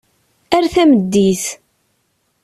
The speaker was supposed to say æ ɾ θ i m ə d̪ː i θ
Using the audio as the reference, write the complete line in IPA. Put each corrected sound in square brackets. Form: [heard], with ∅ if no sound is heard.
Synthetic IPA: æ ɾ θ [æ] m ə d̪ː i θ